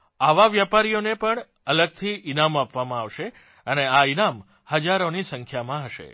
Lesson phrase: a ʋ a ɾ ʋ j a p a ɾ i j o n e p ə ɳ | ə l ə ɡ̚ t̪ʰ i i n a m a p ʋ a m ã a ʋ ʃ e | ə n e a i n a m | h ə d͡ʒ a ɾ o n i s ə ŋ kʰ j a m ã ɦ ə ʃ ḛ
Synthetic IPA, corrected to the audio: a ʋ a ʋ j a p a ɾ i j o n e p ə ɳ | ə l ə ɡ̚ t̪ʰ i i n a m a p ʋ a m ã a ʋ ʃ e | ə n e a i n a m | h ə d͡ʒ a ɾ o n i s ə ŋ kʰ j a m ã ɦ ə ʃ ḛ